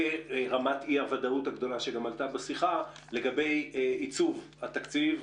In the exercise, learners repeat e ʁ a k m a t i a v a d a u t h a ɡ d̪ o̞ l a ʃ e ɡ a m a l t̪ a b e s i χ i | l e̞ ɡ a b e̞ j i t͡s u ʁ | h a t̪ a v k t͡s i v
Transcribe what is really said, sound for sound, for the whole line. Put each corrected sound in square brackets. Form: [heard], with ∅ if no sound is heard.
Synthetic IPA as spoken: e ʁ a [∅] m a t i a v a d a u t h a ɡ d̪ o̞ l a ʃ e ɡ a m a l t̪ a b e s i χ [a] | l e̞ ɡ a b e̞ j i t͡s u [v] | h a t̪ a [∅] k t͡s i v